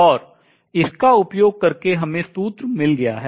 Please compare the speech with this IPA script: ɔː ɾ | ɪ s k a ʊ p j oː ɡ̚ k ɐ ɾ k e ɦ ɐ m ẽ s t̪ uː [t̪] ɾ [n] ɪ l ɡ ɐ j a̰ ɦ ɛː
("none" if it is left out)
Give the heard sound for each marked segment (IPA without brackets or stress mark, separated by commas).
t̪, m